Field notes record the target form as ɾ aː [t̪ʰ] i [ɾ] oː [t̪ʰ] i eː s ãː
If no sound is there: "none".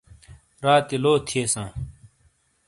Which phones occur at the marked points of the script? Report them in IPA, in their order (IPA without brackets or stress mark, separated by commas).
t̪, l, t̪ʰ